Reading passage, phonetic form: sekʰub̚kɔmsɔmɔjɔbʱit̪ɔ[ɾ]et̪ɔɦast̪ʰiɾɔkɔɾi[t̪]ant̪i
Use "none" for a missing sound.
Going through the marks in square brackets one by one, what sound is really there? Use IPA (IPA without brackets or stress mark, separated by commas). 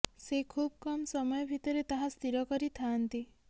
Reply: ɾ, t̪ʰ